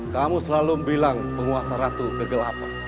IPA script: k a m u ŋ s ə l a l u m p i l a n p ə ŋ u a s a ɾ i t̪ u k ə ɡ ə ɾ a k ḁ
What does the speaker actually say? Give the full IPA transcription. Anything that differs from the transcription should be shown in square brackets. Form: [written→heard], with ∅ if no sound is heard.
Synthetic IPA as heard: k a m u [ŋ→∅] s ə l a l u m [p→b] i l a [n→ŋ] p ə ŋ u a s a ɾ [i→a] t̪ u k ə ɡ ə [ɾ→l] a [k→p] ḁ